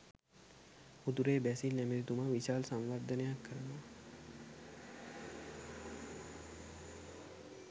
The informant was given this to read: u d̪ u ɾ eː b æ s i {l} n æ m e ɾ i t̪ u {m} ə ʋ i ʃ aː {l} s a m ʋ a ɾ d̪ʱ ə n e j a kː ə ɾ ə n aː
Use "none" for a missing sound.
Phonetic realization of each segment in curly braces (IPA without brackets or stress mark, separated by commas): l, m, l